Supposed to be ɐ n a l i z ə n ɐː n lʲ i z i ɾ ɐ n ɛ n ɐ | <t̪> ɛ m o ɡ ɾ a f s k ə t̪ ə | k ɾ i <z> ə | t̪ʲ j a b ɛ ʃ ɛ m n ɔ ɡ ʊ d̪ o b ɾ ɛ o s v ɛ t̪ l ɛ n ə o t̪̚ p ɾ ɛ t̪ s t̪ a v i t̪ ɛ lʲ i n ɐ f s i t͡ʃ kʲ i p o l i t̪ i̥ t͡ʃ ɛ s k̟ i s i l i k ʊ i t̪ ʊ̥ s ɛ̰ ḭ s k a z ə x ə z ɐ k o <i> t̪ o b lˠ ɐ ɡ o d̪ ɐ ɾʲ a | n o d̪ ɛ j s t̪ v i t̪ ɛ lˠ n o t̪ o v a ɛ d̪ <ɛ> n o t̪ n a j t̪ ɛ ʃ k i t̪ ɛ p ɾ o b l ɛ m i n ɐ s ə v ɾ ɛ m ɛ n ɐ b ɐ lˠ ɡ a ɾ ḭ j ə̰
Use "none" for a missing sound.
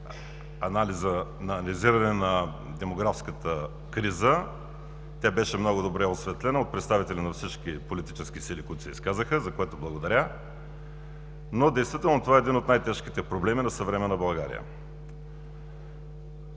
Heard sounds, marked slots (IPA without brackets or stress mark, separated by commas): d̪, z, ɛ, i